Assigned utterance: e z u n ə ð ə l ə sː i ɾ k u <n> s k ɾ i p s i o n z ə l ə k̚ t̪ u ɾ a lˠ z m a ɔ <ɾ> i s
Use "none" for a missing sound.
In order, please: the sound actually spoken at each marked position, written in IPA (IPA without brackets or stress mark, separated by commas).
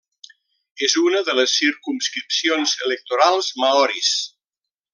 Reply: m, ɾ